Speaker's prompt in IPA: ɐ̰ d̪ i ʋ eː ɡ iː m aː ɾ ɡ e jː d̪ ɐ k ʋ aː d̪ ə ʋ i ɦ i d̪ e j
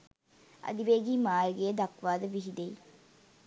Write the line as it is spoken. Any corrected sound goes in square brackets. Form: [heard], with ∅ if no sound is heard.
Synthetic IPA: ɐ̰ d̪ i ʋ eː ɡ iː m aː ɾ ɡ e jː d̪ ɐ k ʋ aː d̪ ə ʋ i ɦ i d̪ e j